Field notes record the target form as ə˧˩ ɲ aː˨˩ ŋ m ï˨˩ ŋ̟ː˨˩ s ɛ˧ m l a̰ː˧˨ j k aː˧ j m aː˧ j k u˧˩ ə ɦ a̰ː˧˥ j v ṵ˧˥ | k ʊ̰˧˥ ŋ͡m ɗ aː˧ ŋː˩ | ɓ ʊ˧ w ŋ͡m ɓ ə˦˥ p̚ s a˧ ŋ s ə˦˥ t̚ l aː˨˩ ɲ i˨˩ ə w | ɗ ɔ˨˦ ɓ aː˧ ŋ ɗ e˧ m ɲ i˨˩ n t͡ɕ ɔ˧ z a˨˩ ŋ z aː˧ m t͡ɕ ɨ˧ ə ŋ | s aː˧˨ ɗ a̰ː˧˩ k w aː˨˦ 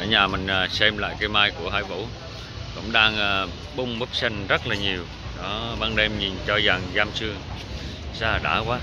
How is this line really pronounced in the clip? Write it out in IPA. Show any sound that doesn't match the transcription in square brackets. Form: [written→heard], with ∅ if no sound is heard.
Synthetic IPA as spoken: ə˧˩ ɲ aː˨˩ [ŋ→∅] m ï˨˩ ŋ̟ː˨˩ s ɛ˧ m l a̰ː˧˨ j k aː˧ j m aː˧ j k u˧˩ ə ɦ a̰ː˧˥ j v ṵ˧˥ | k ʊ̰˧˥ ŋ͡m ɗ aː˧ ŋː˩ | ɓ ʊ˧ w ŋ͡m ɓ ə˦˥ p̚ s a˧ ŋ [s→z] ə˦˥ t̚ l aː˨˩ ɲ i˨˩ ə w | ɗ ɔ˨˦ ɓ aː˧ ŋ ɗ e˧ m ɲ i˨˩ n t͡ɕ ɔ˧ z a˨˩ ŋ z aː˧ m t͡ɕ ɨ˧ ə ŋ | s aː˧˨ ɗ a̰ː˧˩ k w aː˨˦